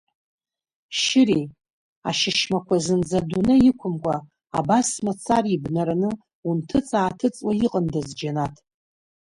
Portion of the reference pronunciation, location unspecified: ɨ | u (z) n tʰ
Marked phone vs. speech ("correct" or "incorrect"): incorrect